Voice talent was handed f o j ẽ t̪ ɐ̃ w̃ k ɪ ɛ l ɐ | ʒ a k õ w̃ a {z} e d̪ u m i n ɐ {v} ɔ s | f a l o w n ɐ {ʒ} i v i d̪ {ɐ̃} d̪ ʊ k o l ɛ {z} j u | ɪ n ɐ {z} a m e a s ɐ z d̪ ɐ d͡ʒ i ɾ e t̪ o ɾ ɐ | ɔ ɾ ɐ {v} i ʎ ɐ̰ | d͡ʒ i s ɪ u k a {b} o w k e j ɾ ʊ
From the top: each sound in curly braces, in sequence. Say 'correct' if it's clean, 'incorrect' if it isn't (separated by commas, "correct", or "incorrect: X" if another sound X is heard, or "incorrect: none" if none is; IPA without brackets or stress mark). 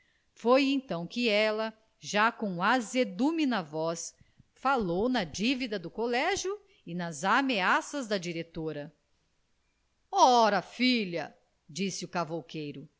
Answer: correct, correct, incorrect: d͡ʒ, incorrect: ɐ, incorrect: ʒ, correct, incorrect: f, incorrect: v